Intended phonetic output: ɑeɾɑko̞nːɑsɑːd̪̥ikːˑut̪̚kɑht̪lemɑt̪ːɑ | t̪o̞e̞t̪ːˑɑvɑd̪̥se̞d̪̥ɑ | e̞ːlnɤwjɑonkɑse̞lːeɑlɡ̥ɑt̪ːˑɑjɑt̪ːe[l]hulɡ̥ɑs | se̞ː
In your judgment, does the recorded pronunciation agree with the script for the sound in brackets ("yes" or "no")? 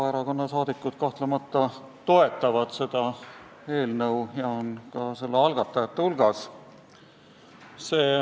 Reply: no